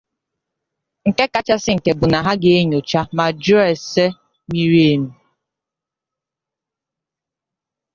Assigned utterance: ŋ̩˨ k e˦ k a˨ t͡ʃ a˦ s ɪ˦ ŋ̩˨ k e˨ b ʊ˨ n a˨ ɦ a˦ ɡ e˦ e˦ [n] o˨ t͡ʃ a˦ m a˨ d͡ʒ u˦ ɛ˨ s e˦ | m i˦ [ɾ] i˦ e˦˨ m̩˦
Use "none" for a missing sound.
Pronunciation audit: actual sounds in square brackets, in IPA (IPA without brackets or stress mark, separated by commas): ɲ, ɾ